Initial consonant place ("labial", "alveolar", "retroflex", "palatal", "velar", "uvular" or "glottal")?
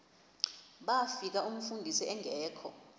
labial